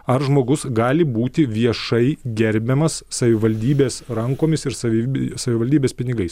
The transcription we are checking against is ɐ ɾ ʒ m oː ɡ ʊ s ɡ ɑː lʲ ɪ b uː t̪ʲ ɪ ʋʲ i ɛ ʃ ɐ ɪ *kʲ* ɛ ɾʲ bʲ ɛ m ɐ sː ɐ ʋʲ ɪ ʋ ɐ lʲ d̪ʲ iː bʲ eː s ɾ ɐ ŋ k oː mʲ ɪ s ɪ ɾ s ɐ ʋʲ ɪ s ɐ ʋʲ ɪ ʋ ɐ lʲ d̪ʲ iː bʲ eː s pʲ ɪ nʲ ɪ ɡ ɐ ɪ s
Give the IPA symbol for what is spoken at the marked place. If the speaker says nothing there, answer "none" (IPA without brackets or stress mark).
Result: ɡʲ